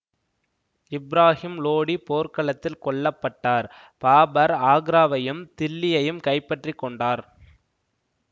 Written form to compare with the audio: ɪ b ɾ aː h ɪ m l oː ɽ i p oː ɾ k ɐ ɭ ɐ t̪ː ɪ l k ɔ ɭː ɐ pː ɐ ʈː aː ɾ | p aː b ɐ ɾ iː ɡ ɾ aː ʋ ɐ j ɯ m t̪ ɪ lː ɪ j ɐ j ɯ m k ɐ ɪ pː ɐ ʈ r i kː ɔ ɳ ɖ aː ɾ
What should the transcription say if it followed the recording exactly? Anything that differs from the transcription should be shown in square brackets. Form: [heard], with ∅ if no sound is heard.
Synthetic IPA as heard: ɪ b ɾ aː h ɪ m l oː ɽ i p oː ɾ k ɐ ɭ ɐ t̪ː ɪ l k ɔ ɭː ɐ pː ɐ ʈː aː ɾ | p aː b ɐ ɾ [aː] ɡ ɾ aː ʋ ɐ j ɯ m t̪ ɪ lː ɪ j ɐ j ɯ m k ɐ ɪ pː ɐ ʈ r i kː ɔ ɳ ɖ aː ɾ

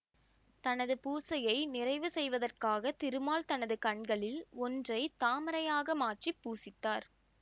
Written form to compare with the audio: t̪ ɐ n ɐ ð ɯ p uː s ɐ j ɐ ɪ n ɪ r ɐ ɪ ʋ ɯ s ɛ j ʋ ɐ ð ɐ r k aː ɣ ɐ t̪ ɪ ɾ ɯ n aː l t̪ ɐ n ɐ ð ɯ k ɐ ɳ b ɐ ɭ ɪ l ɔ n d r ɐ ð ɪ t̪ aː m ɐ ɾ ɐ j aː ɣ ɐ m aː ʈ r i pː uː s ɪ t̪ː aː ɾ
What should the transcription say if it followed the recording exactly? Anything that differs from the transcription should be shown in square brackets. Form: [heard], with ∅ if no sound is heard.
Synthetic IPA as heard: t̪ ɐ n ɐ ð ɯ p uː s ɐ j ɐ ɪ n ɪ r ɐ ɪ ʋ ɯ s ɛ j ʋ ɐ ð ɐ r k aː ɣ ɐ t̪ ɪ ɾ ɯ [m] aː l t̪ ɐ n ɐ ð ɯ k ɐ ɳ [ɡ] ɐ ɭ ɪ l ɔ n d r ɐ [∅] ɪ t̪ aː m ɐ ɾ ɐ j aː ɣ ɐ m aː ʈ r i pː uː s ɪ t̪ː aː ɾ

